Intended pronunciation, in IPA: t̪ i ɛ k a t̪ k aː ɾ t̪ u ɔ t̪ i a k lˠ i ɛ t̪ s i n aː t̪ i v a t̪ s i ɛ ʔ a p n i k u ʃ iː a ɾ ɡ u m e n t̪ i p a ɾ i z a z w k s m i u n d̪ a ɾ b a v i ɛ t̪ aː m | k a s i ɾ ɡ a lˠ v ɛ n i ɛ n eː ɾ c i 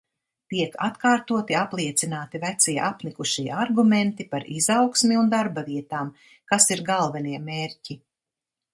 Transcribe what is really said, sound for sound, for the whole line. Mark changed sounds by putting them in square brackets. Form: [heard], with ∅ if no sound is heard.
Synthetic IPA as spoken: t̪ i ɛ k a t̪ k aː ɾ t̪ u ɔ t̪ i a [p] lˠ i ɛ t̪ s i n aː t̪ i v [æ] t̪ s i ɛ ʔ a p n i k u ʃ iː a ɾ ɡ u m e n t̪ i p a ɾ i z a [∅] w k s m i u n d̪ a ɾ b a v i ɛ t̪ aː m | k a s i ɾ ɡ a lˠ v ɛ n i ɛ [m] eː ɾ c i